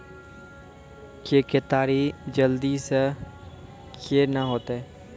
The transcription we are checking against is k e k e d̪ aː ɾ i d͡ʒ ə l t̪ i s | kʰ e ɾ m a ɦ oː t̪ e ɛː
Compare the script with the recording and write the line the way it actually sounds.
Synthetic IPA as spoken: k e k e t̪ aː ɾ i d͡ʒ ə l d̪ i s | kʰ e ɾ n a ɦ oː t̪ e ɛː